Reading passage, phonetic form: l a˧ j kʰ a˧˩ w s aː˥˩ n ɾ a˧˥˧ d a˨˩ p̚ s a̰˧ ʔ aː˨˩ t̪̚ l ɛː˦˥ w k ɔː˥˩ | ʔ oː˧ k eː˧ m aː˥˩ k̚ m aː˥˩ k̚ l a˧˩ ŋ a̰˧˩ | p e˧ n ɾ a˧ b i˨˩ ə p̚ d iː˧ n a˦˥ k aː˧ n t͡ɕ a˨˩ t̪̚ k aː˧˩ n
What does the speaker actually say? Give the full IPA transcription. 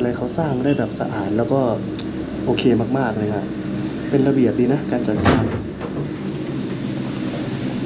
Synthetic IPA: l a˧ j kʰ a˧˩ w s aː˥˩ ŋ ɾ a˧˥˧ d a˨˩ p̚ s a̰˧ ʔ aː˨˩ t̪̚ l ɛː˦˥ w k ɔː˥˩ | ʔ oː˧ kʰ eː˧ m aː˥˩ k̚ m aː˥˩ k̚ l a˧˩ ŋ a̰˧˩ | p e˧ n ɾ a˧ b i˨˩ ə p̚ d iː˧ n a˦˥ k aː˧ n t͡ɕ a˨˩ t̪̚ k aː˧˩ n